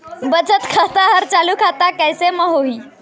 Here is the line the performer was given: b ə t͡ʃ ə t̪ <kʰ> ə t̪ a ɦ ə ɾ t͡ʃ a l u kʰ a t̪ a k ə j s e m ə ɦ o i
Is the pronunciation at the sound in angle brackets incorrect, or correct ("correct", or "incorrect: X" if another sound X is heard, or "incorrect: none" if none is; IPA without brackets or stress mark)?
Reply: correct